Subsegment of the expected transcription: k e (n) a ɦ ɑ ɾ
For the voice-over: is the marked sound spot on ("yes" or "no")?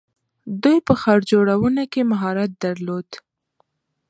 no